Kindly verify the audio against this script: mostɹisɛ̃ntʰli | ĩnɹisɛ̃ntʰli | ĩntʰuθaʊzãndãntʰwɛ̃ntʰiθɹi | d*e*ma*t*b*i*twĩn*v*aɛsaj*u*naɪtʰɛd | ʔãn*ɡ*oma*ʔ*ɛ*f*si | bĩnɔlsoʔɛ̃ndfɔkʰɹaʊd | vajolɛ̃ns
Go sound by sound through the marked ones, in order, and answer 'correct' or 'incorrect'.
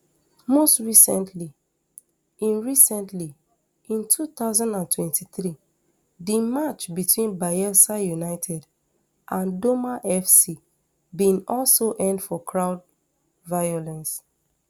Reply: incorrect: i, incorrect: t͡ʃ, correct, incorrect: b, correct, incorrect: d, correct, correct

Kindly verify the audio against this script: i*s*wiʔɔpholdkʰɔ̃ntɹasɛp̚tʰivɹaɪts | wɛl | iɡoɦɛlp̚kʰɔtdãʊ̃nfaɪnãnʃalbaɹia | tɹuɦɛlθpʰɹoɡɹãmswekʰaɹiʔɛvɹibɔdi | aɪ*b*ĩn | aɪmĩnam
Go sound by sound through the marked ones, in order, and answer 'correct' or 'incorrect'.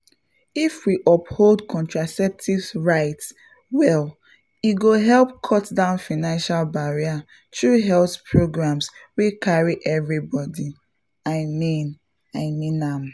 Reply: incorrect: f, incorrect: m

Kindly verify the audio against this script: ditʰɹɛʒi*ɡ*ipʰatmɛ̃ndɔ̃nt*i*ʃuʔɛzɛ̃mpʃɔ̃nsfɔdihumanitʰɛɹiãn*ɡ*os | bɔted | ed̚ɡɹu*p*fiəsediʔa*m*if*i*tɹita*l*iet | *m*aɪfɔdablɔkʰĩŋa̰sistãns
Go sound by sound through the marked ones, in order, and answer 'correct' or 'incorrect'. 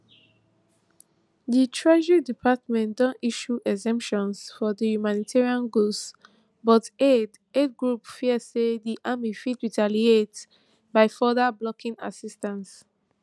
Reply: incorrect: d, correct, correct, correct, correct, correct, correct, incorrect: b

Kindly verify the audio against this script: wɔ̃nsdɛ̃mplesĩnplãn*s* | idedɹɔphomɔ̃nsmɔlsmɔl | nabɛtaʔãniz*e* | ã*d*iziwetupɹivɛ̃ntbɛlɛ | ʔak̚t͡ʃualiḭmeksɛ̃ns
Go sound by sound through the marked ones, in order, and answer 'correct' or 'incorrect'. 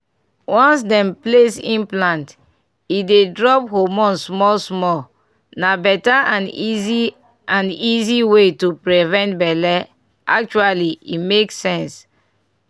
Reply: incorrect: t, incorrect: i, incorrect: n

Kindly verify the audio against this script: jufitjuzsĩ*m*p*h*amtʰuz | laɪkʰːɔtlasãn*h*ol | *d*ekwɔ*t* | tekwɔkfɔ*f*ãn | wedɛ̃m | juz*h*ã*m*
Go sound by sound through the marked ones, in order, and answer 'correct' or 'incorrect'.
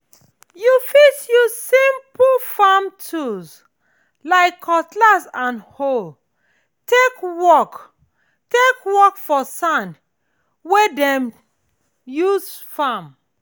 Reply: correct, incorrect: f, correct, incorrect: t, incorrect: k, incorrect: s, incorrect: f, correct

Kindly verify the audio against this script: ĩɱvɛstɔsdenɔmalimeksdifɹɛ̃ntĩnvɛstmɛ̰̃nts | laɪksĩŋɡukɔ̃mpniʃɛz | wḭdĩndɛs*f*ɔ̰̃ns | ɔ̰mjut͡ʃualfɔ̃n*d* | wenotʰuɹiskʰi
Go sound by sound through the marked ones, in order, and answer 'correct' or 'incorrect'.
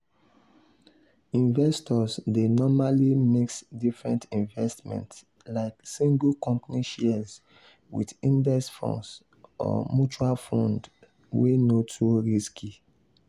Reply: correct, correct

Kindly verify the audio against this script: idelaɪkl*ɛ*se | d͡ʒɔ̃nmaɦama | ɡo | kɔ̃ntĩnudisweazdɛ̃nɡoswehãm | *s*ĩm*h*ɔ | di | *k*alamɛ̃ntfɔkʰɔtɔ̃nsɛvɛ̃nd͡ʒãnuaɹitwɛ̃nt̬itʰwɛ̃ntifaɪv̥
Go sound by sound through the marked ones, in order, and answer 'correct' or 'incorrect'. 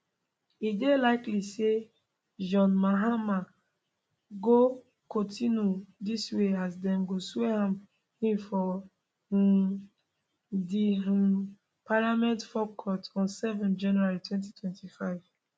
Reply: incorrect: i, incorrect: h, incorrect: f, incorrect: p

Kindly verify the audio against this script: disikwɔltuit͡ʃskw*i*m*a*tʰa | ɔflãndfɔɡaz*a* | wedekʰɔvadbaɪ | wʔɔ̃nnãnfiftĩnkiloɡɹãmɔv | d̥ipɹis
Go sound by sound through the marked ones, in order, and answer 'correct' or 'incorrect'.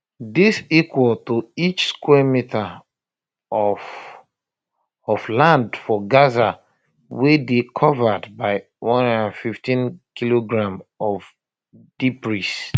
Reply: incorrect: ɛ, incorrect: i, correct

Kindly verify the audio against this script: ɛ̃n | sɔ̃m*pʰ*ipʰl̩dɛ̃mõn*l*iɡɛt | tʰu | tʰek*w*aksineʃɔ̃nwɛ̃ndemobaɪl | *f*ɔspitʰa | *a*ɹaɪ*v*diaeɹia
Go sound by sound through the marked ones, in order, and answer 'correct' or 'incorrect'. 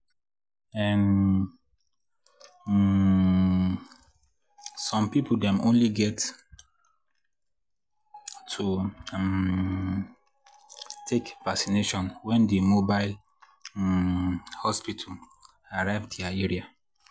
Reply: incorrect: p, correct, incorrect: v, incorrect: h, correct, correct

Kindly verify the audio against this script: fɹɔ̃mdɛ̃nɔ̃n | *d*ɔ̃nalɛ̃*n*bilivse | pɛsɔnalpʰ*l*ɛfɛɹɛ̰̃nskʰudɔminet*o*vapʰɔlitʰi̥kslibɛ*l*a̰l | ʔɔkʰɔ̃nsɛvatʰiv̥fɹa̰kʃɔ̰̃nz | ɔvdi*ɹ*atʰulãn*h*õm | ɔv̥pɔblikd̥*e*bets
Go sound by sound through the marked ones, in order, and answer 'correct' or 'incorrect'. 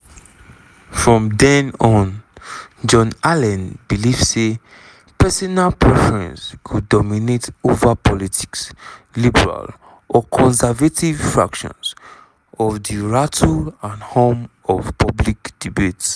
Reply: incorrect: d͡ʒ, correct, incorrect: ɹ, correct, incorrect: ɹ, correct, correct, incorrect: i

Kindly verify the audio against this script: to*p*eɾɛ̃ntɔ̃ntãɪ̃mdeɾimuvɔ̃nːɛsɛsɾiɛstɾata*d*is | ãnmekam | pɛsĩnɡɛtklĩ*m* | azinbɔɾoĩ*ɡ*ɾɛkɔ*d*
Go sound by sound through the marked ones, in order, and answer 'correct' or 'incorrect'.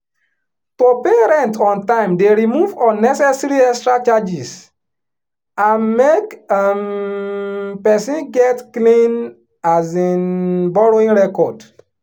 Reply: correct, incorrect: d͡ʒ, incorrect: n, incorrect: ŋ, correct

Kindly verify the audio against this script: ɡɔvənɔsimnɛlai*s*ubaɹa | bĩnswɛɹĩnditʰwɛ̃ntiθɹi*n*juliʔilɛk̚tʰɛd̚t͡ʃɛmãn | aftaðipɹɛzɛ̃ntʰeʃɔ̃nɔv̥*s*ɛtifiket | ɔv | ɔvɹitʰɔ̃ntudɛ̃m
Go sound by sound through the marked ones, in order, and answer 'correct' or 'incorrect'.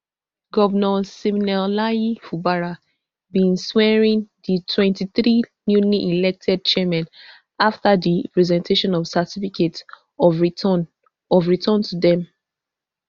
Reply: incorrect: f, correct, correct

